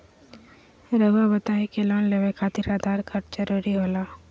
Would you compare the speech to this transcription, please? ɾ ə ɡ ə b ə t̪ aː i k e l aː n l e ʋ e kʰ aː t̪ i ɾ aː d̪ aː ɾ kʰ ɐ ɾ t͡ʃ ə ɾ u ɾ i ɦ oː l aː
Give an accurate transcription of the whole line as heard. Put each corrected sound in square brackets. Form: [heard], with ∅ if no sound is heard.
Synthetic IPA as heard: ɾ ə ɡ [a] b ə t̪ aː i k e l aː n l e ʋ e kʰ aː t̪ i ɾ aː d̪ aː ɾ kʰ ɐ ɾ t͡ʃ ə ɾ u ɾ i ɦ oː l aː